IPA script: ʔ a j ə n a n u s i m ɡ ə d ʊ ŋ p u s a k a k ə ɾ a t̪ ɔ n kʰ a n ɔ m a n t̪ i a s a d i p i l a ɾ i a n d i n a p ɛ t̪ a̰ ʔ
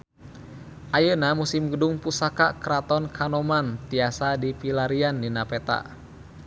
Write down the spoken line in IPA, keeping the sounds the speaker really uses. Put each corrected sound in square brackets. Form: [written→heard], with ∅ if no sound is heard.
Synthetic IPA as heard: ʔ a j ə n a [n→m] u s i m ɡ ə d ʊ ŋ p u s a k a k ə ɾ a t̪ ɔ n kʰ a n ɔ m a n t̪ i a s a d i p i l a ɾ i a n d i n a p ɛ t̪ a̰ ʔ